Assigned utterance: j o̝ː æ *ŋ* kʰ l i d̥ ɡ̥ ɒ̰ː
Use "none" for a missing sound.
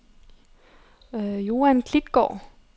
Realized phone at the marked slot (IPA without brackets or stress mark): n